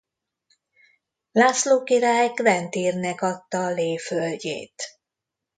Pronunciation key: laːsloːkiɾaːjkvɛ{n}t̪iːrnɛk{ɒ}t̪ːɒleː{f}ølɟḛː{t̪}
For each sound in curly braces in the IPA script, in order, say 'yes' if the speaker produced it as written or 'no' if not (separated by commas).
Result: yes, yes, yes, yes